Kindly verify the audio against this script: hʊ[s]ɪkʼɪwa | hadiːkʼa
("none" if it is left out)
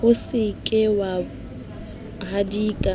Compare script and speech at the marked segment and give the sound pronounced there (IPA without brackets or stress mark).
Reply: s